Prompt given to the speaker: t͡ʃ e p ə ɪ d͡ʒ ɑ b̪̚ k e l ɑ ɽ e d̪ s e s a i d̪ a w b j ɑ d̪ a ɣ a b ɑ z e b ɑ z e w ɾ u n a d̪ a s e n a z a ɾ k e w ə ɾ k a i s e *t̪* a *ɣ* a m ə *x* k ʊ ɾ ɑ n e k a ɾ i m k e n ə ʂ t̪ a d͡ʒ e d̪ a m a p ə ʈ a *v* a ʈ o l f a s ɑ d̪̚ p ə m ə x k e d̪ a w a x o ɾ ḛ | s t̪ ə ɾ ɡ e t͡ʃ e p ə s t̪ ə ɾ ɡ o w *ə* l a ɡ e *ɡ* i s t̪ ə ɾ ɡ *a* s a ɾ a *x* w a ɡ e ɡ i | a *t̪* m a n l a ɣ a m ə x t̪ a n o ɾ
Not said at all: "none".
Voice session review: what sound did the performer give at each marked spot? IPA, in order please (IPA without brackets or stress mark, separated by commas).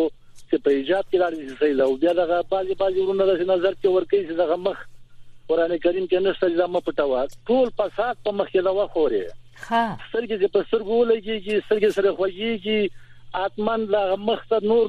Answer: d̪, ɣ, x, w, ə, ɡ, e, x, t̪